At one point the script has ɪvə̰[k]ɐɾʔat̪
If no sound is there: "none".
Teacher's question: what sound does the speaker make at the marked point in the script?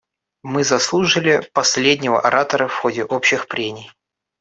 ʔ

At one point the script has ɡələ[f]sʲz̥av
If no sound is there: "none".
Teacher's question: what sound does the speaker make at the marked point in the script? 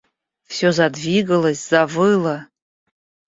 none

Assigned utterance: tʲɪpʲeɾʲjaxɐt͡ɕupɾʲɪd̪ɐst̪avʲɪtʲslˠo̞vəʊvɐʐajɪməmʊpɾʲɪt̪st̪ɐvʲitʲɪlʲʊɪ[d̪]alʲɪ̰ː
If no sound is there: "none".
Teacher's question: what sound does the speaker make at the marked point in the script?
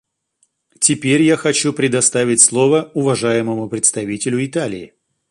t̪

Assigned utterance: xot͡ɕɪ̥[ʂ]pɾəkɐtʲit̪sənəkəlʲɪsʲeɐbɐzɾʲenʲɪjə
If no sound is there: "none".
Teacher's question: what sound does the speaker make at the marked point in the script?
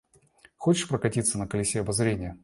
ʂ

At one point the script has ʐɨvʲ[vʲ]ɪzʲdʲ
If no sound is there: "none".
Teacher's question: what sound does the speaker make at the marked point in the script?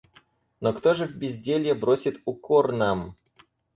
bʲ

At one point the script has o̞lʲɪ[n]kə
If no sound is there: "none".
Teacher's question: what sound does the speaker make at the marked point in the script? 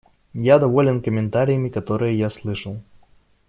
n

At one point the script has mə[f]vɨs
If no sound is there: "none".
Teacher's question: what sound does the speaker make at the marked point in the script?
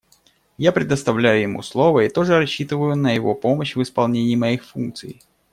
ɕ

